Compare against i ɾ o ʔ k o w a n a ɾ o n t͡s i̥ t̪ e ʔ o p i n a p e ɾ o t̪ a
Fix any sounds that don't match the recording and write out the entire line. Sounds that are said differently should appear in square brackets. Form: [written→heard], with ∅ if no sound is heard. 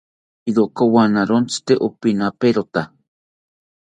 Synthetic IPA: i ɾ o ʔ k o w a n a ɾ o n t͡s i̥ t̪ e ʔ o p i n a p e ɾ o t̪ a